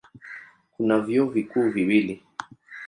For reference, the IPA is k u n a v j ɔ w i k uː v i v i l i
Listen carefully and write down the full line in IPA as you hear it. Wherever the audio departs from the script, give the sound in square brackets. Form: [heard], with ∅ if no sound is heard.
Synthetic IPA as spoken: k u n a v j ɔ [v] i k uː v i [w] i l i